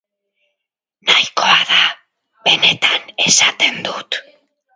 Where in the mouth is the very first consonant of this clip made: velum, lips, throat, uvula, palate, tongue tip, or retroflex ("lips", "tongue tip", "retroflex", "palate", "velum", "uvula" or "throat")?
tongue tip